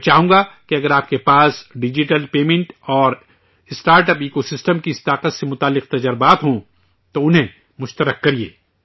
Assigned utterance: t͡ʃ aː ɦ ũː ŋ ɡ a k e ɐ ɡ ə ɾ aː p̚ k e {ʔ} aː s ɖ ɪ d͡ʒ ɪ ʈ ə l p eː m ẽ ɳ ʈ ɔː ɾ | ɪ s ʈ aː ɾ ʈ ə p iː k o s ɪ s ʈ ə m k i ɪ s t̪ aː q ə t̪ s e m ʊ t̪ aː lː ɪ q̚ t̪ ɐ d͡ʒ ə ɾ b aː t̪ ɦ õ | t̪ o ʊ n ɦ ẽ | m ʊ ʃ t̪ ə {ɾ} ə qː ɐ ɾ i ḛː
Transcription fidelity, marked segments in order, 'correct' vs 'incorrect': incorrect: p, correct

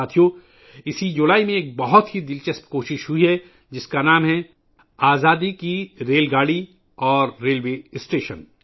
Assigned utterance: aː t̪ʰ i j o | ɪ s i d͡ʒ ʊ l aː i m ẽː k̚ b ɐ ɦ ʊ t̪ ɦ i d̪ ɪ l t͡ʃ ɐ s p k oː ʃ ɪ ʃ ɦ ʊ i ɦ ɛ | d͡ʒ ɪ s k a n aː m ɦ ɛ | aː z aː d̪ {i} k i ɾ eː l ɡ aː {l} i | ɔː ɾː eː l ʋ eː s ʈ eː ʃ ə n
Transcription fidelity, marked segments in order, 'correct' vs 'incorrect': correct, incorrect: ɽ

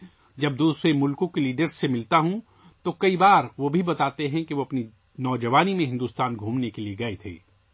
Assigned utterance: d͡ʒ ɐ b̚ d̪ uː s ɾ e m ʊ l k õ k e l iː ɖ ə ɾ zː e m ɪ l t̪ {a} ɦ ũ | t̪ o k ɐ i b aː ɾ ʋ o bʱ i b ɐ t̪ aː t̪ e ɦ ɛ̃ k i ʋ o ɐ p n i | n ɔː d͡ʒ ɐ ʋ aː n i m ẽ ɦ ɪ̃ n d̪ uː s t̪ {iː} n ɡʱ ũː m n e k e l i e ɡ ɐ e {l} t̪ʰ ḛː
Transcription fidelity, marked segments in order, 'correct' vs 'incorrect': correct, incorrect: aː, incorrect: none

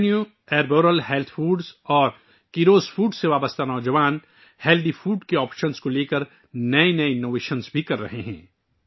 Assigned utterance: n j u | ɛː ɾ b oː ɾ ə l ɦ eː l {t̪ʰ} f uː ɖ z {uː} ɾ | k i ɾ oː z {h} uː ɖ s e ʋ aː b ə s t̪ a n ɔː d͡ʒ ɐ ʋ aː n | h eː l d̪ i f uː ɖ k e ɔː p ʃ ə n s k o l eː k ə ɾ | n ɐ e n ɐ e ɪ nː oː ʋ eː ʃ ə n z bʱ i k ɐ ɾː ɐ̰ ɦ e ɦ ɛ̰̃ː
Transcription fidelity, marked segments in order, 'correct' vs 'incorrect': correct, incorrect: ɔː, incorrect: f

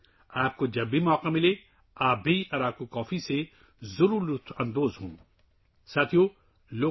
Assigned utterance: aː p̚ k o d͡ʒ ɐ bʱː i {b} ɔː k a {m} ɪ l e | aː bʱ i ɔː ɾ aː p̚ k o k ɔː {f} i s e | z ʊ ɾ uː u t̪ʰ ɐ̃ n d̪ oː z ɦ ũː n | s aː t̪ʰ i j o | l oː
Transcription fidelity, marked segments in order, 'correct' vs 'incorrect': incorrect: m, correct, correct

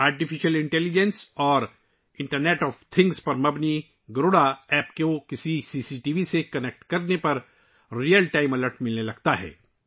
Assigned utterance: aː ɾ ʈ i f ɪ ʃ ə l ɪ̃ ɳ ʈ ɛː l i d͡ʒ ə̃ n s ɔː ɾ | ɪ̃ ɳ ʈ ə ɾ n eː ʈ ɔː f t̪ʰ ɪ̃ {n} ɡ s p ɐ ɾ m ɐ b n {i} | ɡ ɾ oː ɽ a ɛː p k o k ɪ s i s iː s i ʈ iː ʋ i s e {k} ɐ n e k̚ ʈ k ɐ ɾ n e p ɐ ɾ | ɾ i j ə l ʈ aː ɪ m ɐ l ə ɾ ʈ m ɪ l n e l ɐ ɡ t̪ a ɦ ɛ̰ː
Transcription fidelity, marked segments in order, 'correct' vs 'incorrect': incorrect: ŋ, correct, correct

